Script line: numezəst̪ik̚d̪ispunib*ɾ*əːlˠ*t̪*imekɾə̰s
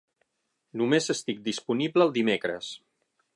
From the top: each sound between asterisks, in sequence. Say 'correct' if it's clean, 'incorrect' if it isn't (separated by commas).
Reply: incorrect, incorrect